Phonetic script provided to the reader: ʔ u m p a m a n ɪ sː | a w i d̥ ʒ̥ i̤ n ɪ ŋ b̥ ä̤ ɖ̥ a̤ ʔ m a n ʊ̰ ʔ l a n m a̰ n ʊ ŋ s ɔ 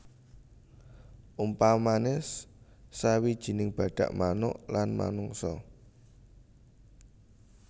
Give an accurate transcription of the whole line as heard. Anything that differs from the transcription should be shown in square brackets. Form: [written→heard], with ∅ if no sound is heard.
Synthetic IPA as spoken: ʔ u m p a m a n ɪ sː | a w i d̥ ʒ̥ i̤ n ɪ ŋ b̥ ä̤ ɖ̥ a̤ ʔ m a n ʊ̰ ʔ l a n m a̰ n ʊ ŋ s ɔ